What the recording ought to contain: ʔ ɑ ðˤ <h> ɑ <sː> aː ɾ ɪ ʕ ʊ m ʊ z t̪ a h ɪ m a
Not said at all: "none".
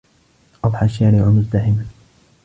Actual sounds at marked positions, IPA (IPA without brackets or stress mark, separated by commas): ħ, ʃː